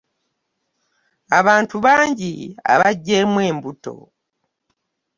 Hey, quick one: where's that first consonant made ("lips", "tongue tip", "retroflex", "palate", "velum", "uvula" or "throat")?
lips